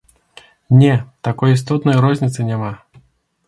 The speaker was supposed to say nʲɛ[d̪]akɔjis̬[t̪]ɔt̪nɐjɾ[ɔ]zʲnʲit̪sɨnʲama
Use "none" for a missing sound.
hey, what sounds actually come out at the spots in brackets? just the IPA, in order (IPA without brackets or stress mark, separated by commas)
t̪, t̪, ɔ